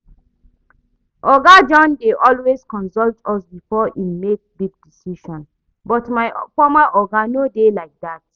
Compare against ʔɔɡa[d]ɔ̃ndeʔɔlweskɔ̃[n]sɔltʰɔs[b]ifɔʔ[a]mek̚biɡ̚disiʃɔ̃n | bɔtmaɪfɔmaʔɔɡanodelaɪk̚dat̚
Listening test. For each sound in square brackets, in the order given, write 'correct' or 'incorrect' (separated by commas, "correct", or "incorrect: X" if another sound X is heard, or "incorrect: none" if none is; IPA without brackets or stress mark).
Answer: incorrect: d͡ʒ, correct, correct, incorrect: i